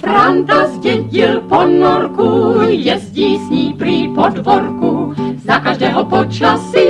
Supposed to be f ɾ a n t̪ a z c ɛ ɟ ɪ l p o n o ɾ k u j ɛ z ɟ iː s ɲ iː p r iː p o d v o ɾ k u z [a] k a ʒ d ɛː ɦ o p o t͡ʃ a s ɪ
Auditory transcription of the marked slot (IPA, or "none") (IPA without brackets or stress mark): a